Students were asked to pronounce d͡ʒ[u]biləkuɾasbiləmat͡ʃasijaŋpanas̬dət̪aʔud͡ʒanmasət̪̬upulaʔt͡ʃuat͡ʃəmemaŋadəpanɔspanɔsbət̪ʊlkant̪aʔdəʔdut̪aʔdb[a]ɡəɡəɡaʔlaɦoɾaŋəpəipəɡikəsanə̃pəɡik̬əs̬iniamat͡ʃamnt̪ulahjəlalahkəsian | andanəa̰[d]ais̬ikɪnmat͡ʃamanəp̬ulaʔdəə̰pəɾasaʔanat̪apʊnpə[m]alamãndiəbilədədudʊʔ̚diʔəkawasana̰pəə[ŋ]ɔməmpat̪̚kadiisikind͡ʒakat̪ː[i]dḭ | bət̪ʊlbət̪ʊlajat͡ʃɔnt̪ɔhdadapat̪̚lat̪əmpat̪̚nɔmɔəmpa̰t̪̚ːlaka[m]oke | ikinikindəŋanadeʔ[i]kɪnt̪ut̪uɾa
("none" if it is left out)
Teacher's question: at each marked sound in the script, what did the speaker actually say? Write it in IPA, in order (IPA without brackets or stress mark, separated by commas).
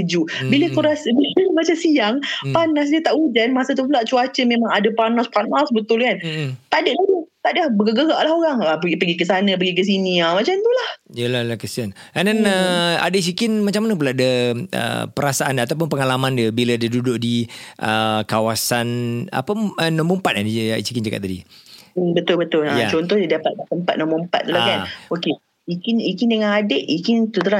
u, ə, d, ŋ, n, a, n, i